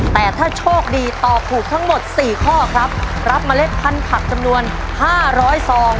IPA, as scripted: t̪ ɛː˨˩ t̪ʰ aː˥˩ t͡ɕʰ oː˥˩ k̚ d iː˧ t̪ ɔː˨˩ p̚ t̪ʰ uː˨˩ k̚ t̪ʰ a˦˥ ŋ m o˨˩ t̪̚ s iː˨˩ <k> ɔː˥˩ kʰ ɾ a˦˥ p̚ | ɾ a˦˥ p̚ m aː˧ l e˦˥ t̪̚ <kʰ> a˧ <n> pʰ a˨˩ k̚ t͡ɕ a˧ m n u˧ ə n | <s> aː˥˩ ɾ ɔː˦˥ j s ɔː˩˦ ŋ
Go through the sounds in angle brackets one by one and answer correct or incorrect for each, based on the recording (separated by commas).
incorrect, incorrect, correct, incorrect